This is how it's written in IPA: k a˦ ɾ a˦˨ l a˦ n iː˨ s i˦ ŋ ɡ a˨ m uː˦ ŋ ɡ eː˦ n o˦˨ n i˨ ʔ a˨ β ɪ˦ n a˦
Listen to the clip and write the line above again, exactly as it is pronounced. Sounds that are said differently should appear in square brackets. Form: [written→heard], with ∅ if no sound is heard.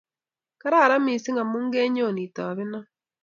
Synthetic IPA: k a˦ ɾ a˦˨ [l→ɾ] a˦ [n→m] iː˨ s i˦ ŋ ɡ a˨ m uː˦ ŋ ɡ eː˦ [n→ɲ] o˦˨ n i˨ [ʔ→t] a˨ β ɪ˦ n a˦